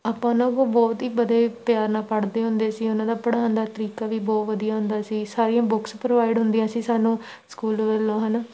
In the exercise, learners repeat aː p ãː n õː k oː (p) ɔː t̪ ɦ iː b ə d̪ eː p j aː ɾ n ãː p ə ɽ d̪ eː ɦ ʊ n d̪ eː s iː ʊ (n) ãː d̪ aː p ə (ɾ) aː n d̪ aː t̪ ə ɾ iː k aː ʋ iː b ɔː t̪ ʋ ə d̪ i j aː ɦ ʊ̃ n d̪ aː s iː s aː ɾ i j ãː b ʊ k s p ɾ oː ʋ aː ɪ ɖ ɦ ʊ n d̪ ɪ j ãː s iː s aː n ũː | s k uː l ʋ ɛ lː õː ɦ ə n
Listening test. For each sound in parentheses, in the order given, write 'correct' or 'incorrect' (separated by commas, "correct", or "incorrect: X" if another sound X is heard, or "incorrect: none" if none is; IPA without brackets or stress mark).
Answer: incorrect: b, correct, incorrect: ɽ